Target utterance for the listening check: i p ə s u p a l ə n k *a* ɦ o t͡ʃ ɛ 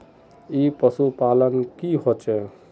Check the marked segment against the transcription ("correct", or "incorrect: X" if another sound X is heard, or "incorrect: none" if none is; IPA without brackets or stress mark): incorrect: i